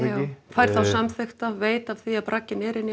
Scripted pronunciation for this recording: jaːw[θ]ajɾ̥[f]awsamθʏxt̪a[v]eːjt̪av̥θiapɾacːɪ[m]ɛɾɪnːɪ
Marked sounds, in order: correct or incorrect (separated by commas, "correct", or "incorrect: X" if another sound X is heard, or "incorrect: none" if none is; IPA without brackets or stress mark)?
incorrect: f, incorrect: θ, correct, incorrect: n